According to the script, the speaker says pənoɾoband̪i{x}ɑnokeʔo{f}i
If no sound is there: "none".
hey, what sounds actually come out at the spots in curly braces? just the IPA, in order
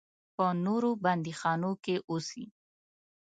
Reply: x, s

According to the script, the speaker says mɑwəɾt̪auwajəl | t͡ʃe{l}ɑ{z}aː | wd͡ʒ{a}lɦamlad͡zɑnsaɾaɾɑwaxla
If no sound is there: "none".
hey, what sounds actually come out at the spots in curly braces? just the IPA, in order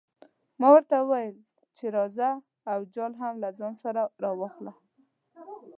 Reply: ɾ, z, ɑ

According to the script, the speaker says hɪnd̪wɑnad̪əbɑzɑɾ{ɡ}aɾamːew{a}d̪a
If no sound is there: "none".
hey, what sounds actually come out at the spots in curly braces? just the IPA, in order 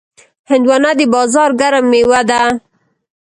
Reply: ɡ, a

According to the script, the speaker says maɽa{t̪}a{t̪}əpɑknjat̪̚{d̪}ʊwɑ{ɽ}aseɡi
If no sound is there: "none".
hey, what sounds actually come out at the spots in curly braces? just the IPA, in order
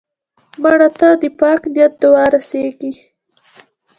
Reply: t̪, d̪, d̪, ɾ

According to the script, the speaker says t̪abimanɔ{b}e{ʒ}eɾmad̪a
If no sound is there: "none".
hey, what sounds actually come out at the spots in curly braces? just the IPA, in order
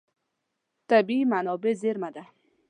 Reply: b, z

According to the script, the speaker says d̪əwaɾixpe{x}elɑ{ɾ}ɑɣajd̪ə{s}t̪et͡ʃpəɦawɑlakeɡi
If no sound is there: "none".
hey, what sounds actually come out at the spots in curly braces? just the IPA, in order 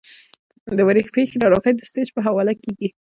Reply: x, ɾ, s

